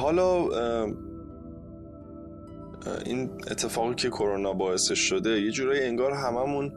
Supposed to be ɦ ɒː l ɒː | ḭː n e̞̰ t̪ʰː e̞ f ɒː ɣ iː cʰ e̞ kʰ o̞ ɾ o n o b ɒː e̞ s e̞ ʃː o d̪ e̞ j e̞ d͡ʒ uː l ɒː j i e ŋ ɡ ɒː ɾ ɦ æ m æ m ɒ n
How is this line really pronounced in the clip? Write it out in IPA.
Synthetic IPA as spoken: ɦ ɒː l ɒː | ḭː n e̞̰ t̪ʰː e̞ f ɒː ɣ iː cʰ e̞ kʰ o̞ ɾ o n ɒ b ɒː e̞ s e̞ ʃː o d̪ e̞ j e̞ d͡ʒ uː ɾ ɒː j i e ŋ ɡ ɒː ɾ ɦ æ m æ m u n